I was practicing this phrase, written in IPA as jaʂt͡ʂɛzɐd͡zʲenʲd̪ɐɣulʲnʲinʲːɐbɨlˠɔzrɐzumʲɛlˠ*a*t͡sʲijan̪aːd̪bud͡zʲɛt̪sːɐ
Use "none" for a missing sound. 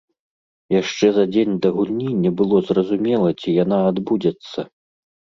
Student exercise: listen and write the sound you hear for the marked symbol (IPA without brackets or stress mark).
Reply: ɐ